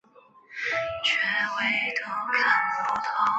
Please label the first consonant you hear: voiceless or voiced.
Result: voiceless